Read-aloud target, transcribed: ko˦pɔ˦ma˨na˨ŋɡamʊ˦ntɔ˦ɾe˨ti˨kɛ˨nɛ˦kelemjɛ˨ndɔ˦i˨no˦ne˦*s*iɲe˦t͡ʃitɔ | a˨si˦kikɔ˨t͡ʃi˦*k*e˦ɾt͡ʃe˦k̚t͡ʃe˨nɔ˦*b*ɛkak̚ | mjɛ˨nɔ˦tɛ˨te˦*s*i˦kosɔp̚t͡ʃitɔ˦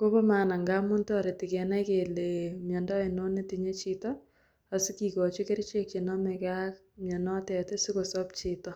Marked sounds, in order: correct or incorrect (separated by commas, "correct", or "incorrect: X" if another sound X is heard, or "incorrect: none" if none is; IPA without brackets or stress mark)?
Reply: incorrect: t, correct, incorrect: m, correct